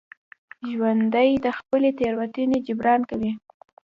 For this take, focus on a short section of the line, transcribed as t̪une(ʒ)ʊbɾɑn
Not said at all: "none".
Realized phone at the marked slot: d͡ʒ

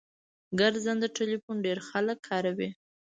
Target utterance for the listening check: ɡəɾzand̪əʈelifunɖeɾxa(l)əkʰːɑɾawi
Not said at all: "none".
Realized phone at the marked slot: l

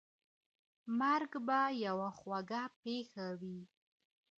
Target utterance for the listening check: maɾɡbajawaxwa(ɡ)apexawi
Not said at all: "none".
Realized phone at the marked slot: ɡ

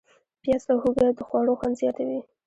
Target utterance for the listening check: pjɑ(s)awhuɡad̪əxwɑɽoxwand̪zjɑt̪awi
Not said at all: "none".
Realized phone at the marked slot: s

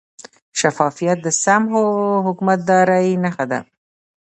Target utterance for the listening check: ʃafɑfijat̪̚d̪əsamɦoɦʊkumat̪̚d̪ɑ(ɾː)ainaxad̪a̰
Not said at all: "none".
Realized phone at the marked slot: ɾ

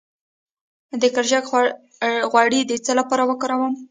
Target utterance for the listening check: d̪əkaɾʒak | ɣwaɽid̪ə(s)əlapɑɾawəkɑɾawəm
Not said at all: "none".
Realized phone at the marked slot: t͡s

